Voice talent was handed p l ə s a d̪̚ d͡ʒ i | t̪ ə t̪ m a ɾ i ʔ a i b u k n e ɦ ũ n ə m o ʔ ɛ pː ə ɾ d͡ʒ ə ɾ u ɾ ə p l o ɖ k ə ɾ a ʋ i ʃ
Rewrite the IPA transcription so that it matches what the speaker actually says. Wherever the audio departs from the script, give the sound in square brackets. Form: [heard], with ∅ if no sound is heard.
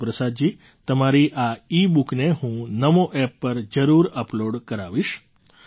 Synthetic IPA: p [ɾ] ə s a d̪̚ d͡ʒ i | t̪ ə [∅] m a ɾ i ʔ a i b u k n e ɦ ũ n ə m o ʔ ɛ pː ə ɾ d͡ʒ ə ɾ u ɾ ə p l o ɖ k ə ɾ a ʋ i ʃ